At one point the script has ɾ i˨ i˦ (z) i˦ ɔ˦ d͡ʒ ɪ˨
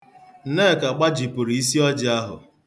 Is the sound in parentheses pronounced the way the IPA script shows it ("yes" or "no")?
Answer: no